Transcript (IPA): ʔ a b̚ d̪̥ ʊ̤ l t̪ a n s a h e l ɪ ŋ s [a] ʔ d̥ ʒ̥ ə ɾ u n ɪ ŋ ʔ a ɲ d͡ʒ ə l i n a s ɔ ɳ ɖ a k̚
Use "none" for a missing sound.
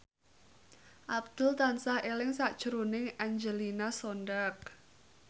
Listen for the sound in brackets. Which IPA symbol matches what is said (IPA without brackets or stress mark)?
a